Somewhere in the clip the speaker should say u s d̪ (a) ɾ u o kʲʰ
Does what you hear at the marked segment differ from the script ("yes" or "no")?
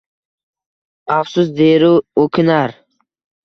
yes